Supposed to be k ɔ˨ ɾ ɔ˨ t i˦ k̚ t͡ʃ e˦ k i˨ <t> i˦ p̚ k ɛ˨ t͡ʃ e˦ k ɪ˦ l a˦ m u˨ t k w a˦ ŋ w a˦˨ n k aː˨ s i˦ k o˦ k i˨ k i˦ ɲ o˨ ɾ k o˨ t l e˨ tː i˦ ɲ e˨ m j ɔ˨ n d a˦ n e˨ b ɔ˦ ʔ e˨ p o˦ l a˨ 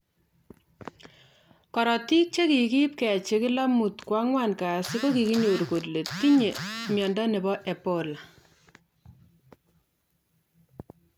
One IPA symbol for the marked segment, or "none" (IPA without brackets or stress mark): k